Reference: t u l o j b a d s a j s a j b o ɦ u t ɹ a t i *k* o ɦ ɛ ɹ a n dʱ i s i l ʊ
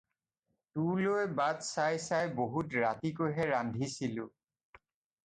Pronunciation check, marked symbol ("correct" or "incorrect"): correct